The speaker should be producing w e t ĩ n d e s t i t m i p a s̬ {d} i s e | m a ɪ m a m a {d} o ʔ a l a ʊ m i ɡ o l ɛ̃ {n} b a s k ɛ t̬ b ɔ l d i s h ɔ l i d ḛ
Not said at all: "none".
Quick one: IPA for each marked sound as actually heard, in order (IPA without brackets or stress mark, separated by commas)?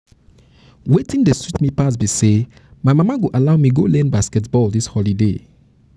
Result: b, ɡ, n